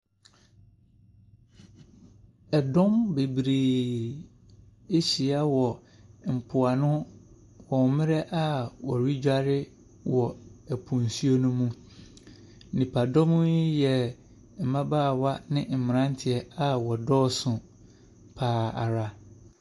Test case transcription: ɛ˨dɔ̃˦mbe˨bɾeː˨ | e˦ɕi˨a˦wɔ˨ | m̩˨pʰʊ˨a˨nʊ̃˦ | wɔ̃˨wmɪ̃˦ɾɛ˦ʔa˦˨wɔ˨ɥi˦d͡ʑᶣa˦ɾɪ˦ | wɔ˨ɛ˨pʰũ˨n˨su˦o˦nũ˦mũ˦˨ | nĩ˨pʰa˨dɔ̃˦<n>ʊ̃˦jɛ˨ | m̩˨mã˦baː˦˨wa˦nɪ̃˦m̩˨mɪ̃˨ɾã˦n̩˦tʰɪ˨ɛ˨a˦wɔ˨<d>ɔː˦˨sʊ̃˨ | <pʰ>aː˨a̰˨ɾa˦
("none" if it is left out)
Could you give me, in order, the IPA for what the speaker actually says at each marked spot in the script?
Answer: m, d, pʰ

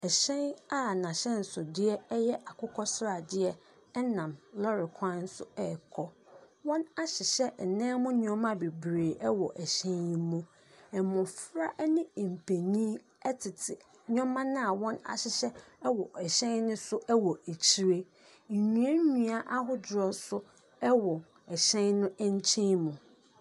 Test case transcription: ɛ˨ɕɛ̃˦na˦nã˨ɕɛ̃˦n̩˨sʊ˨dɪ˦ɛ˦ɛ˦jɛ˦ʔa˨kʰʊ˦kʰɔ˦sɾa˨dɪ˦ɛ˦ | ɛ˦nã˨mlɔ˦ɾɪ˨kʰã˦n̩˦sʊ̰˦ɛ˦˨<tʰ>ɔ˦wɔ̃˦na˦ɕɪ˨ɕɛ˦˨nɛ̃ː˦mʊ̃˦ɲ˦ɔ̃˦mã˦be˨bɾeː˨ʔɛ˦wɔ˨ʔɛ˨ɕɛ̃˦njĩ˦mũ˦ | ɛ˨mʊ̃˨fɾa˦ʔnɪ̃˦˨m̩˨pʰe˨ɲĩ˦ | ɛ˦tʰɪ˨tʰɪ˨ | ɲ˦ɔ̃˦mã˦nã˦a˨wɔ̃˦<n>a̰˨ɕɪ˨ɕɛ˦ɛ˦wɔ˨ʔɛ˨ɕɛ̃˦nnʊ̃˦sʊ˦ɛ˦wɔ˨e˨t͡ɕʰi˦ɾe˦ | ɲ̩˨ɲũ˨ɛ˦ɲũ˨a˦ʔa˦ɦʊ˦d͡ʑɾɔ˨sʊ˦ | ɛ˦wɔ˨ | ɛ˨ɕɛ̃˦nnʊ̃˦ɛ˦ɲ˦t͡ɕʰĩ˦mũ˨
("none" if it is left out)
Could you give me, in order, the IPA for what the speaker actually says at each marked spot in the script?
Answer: kʰ, n

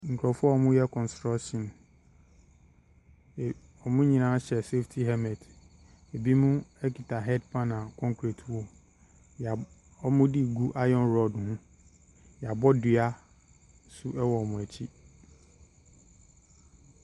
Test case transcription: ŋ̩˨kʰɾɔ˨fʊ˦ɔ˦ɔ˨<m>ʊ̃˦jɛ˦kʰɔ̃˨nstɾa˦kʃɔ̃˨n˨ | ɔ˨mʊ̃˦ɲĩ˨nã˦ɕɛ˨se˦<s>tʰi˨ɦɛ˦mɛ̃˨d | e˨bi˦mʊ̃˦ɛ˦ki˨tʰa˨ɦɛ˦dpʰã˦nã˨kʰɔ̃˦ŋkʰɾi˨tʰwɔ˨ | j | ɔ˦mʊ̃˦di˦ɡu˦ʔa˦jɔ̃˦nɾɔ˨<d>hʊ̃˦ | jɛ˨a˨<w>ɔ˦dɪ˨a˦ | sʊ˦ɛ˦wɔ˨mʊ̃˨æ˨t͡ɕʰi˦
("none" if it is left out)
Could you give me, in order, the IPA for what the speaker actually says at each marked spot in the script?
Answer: m, f, d, b

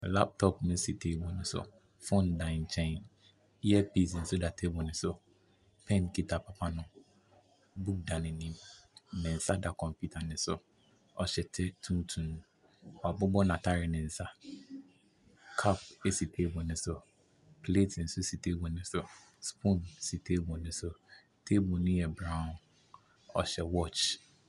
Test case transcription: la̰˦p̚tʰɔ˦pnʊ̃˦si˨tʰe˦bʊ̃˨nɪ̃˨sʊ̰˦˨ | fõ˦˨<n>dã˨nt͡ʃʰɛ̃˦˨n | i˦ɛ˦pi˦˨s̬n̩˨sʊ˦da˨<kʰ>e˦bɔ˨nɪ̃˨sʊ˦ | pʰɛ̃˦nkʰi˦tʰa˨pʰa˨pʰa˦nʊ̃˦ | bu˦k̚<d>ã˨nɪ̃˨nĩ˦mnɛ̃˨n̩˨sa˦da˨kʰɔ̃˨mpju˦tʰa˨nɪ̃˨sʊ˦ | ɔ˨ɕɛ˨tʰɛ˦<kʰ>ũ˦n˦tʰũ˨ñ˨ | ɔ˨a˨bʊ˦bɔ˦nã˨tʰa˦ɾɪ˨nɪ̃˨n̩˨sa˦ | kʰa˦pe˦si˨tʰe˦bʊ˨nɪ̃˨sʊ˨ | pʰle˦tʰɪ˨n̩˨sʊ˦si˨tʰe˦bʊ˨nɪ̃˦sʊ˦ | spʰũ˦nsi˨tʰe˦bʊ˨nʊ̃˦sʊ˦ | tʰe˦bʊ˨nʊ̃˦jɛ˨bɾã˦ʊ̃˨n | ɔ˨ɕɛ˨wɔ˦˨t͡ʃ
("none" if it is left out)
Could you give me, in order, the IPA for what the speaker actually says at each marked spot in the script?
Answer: n, tʰ, d, tʰ

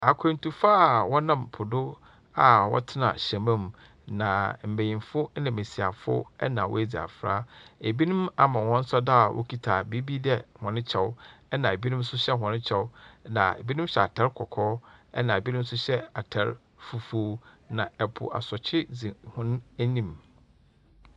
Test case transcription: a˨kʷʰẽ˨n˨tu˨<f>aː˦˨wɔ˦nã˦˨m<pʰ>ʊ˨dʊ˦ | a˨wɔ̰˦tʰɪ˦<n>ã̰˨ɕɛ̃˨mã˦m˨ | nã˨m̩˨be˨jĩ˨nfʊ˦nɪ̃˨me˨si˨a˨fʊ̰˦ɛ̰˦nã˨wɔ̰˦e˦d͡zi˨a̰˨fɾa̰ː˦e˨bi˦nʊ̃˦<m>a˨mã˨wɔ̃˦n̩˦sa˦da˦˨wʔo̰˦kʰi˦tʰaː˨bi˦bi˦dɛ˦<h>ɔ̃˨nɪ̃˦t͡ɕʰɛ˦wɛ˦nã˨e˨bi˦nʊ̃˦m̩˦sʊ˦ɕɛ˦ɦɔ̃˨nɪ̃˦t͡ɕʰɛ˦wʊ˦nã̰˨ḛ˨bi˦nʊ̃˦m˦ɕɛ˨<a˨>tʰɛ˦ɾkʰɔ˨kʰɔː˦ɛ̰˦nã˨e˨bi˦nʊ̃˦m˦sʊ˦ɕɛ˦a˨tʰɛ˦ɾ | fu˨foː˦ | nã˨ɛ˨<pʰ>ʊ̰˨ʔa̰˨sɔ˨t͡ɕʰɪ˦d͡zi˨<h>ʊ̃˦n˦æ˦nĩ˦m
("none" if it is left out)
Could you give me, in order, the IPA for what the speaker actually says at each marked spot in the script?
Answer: f, pʰ, n, m, h, a˨, pʰ, h

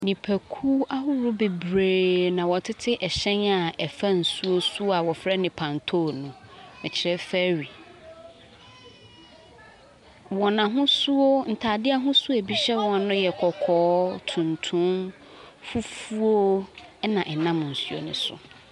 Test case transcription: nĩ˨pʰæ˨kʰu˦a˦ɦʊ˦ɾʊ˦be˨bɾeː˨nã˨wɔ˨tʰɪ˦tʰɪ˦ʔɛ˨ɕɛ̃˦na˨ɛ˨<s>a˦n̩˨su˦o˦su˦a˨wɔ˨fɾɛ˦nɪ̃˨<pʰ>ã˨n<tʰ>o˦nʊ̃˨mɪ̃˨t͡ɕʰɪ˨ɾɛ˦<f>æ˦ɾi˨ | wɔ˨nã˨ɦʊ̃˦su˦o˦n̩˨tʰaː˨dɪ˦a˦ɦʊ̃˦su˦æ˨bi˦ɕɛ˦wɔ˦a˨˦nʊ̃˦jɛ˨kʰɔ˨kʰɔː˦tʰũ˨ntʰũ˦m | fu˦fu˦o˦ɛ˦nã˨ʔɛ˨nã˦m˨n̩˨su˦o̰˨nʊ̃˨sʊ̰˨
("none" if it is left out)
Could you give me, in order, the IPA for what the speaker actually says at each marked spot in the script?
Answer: f, pʰ, tʰ, f

